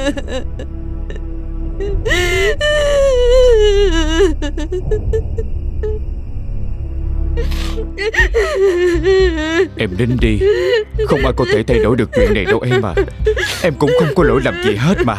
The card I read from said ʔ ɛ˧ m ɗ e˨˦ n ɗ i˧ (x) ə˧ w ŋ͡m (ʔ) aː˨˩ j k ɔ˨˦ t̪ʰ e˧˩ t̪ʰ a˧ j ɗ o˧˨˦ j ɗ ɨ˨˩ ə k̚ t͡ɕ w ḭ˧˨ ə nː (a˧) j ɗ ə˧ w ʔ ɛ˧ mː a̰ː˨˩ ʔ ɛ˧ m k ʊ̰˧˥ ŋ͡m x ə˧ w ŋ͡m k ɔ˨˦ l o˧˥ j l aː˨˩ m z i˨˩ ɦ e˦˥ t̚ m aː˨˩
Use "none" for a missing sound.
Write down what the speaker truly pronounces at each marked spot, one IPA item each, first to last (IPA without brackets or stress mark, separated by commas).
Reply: x, ʔ, a˨˩